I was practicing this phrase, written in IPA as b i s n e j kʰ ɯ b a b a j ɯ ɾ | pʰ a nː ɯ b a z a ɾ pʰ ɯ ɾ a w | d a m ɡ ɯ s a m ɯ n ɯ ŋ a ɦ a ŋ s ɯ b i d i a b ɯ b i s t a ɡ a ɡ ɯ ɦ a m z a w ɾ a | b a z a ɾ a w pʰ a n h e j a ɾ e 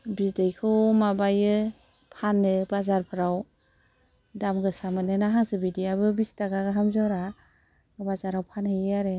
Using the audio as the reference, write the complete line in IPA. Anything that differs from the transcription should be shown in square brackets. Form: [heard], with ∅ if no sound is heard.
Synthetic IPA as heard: b i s [d] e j kʰ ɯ [m] a b a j ɯ [∅] | pʰ a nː ɯ b a z a ɾ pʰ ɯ ɾ a w | d a m ɡ ɯ s a m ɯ n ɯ [n] a ɦ a ŋ s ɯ b i d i a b ɯ b i s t a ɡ a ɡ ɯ ɦ a m z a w ɾ a | b a z a ɾ a w pʰ a n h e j a ɾ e

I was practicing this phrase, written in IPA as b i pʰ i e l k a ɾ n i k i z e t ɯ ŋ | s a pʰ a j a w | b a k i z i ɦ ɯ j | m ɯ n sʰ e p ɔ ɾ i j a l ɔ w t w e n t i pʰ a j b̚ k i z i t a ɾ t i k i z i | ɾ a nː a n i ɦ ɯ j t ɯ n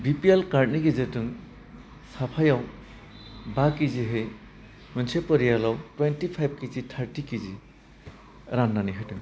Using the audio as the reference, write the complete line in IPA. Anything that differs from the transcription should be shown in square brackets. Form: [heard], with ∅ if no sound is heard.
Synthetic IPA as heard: b i [p] i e l k a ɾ n i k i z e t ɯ ŋ | s a pʰ a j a w | b a k i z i ɦ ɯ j | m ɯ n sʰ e p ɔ ɾ i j a l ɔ w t w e n t i pʰ a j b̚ k i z i [tʰ] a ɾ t i k i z i | ɾ a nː a n i ɦ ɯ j t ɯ [ŋ]

